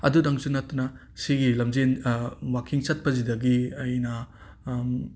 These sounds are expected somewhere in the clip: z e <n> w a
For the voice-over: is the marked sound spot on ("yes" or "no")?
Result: yes